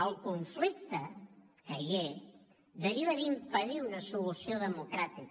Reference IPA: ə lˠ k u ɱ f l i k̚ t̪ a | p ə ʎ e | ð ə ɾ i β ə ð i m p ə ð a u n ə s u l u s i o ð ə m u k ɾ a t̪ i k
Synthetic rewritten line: ə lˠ k u ɱ f l i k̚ t̪ ə | k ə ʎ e | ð ə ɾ i β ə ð i m p ə ð i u n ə s u l u s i o ð ə m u k ɾ a t̪ i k